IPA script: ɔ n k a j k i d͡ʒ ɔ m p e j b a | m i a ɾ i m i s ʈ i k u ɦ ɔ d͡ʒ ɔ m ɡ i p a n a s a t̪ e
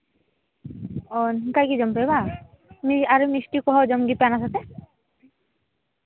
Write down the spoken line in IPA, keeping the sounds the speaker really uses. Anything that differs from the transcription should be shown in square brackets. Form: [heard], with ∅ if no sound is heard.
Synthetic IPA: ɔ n k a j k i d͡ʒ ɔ m p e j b a | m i a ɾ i m i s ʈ i k [ɔ] ɦ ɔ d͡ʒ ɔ m ɡ i p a n a s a t̪ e